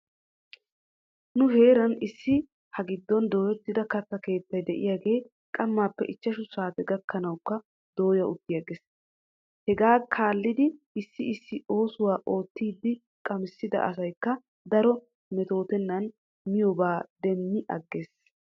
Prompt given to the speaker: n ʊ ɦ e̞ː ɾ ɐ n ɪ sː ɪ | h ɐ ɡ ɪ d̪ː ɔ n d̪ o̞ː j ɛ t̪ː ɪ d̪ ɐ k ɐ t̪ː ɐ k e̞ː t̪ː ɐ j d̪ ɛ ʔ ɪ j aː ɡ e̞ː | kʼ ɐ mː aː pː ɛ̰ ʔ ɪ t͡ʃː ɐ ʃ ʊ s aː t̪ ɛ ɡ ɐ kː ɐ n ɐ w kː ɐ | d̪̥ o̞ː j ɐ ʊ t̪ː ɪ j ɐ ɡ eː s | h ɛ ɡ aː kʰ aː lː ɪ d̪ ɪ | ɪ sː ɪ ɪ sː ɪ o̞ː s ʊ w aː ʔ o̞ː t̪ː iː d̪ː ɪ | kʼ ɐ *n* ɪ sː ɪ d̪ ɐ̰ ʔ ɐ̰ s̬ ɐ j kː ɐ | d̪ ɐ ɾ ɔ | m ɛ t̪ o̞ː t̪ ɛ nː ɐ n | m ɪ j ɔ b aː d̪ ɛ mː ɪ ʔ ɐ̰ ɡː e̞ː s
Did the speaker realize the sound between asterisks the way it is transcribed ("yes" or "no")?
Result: no